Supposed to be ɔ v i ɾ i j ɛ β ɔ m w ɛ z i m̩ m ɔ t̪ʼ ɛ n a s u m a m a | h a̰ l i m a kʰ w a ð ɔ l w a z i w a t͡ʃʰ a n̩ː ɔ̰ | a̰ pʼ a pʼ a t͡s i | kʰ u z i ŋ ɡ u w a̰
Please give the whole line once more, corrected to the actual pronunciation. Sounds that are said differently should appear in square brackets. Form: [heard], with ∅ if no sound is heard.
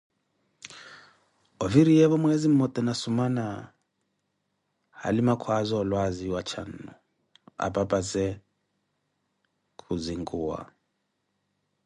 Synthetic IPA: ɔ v i ɾ i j ɛ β ɔ m w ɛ z i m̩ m ɔ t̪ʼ ɛ n a s u m a [n] a | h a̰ l i m a kʰ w a [z] ɔ l w a z i w a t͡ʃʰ a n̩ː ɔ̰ | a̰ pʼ a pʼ a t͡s [ɛ] | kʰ u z i ŋ ɡ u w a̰